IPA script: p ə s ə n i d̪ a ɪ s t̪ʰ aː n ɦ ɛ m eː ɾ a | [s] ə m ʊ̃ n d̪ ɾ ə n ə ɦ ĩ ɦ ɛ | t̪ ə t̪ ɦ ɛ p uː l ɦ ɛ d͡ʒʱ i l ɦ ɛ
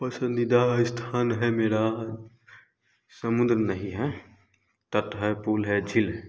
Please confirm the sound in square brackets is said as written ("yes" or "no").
yes